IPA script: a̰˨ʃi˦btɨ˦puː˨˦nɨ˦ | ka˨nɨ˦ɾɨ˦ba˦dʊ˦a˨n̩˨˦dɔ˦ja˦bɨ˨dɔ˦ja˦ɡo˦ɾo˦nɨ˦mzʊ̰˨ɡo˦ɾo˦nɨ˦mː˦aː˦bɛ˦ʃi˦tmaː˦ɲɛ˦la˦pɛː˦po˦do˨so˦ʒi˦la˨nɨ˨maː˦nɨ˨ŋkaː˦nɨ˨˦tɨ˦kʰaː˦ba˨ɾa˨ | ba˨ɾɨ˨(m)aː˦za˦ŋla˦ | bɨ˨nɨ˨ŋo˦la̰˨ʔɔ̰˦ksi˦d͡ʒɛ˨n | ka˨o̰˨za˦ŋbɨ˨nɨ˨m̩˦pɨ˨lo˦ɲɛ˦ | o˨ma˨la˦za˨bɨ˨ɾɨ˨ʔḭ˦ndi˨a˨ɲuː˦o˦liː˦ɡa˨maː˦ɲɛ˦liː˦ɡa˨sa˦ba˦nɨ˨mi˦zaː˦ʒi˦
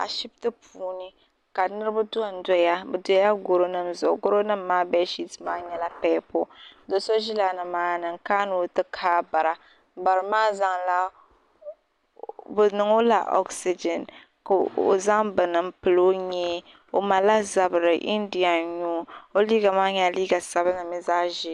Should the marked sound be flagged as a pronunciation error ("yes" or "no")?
no